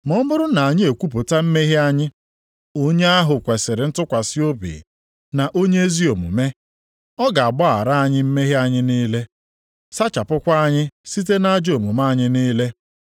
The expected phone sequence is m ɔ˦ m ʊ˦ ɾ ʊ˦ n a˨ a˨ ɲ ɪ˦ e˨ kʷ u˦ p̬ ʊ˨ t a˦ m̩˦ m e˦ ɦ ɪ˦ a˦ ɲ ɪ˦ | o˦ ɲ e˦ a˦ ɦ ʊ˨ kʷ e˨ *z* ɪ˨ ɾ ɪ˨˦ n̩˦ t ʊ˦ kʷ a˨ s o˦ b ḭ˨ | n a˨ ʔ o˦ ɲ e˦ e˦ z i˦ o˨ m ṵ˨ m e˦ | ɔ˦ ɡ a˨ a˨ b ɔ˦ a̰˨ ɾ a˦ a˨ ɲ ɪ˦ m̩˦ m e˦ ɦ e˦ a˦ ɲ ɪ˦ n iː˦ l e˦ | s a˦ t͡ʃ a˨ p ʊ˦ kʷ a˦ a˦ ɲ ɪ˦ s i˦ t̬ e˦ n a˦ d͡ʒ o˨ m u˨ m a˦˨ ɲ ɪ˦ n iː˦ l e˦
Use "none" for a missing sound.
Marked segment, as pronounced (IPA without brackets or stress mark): s